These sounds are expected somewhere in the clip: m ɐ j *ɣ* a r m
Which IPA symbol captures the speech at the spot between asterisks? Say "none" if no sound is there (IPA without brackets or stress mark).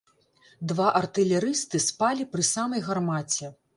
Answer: ɣ